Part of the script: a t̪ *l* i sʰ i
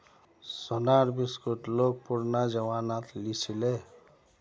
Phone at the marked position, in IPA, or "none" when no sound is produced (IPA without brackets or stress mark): l